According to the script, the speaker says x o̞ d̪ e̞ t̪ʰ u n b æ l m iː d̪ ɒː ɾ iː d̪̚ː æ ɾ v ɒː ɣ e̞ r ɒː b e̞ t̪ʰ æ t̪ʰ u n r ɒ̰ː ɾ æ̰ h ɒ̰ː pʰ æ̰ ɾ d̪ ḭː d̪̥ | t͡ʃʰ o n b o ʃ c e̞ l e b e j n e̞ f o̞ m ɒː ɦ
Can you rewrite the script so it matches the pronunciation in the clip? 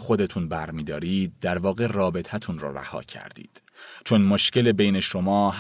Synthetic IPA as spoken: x o̞ d̪ e̞ t̪ʰ u n b æ ɾ m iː d̪ ɒː ɾ iː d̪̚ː æ ɾ v ɒː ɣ e̞ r ɒː b e̞ t̪ʰ æ t̪ʰ u n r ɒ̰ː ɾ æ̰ h ɒ̰ː cʰ æ̰ ɾ d̪ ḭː d̪̥ | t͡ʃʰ o n m o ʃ c e̞ l e b e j n e̞ ʃ o̞ m ɒː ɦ